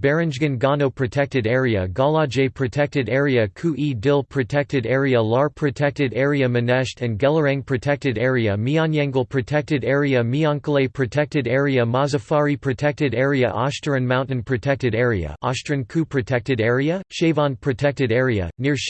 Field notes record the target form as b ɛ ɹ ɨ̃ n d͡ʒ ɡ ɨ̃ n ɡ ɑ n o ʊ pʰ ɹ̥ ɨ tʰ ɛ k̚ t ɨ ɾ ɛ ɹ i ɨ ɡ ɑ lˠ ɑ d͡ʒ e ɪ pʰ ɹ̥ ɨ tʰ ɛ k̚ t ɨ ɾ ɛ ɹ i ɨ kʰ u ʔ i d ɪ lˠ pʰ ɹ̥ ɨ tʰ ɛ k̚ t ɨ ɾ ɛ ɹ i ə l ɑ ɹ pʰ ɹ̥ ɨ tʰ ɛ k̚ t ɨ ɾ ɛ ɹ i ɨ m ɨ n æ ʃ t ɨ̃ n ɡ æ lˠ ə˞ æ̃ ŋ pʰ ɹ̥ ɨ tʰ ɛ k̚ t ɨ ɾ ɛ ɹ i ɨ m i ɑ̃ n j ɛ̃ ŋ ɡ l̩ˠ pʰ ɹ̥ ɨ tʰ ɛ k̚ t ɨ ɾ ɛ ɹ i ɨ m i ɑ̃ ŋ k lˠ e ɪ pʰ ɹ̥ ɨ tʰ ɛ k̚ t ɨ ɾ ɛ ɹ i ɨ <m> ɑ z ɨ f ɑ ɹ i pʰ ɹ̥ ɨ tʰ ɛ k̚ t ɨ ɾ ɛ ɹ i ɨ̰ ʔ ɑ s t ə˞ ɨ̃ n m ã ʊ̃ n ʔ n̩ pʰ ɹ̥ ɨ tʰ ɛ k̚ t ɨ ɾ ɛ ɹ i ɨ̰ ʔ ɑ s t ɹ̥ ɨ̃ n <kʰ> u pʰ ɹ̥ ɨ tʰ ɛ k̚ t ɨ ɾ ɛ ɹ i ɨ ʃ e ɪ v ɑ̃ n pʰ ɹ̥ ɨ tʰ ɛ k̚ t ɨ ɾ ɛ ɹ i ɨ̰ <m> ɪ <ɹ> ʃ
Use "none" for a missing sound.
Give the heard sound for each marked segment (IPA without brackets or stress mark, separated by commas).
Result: m, kʰ, n, ɹ